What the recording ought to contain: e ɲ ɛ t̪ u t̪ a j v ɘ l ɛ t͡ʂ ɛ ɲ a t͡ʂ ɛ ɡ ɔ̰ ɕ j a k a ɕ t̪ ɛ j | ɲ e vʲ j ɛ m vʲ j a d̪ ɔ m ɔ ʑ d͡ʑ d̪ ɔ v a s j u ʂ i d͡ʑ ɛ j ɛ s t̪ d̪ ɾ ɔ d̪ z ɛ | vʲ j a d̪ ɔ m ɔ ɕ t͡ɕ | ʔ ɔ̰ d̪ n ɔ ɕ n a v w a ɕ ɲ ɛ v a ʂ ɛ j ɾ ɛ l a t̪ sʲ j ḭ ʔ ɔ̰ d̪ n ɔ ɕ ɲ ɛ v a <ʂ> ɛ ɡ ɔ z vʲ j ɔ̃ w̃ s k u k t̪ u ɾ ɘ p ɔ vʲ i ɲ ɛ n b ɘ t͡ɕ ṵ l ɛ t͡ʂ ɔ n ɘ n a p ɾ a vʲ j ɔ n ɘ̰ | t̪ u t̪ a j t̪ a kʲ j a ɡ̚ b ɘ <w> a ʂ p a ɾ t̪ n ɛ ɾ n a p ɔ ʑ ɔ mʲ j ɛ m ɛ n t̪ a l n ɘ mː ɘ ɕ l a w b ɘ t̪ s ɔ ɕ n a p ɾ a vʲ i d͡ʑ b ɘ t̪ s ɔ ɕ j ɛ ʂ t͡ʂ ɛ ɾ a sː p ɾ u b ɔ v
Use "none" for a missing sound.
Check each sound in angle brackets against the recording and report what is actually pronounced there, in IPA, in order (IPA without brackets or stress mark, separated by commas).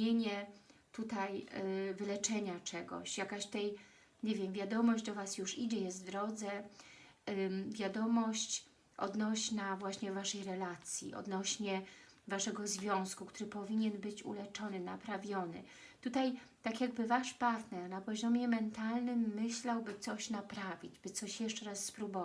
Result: ʂ, v